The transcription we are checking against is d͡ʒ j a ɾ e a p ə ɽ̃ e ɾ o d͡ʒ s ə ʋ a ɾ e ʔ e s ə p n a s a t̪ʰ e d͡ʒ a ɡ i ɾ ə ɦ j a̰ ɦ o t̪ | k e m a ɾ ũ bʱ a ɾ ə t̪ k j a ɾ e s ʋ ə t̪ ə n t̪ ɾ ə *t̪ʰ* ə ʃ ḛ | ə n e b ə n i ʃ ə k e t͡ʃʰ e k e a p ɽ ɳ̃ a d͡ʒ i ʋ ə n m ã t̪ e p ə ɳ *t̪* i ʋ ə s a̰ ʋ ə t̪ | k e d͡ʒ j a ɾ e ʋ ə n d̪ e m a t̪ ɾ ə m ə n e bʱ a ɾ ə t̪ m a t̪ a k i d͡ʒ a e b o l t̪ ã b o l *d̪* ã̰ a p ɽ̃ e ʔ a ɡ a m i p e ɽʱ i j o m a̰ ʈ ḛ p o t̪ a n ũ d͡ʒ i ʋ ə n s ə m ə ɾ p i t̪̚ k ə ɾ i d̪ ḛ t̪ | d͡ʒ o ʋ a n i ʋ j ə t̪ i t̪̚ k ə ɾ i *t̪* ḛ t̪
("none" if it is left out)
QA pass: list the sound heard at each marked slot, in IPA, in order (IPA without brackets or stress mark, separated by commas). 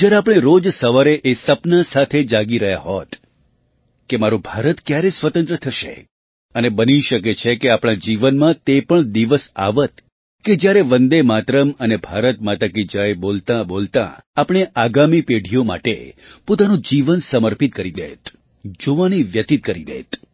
t̪ʰ, d̪, t̪, d̪